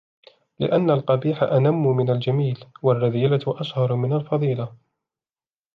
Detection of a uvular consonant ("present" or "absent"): present